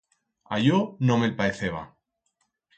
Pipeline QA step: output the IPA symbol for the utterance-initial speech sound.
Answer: a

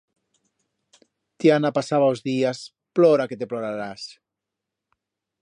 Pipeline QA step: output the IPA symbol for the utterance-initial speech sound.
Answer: t̪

